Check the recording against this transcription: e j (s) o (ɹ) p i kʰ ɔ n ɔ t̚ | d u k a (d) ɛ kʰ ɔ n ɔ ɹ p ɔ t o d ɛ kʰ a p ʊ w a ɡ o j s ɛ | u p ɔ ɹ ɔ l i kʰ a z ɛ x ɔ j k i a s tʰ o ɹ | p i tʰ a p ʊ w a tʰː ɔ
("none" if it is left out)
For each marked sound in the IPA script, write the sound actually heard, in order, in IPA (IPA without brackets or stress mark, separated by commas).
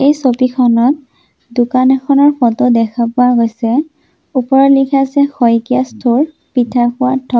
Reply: s, none, n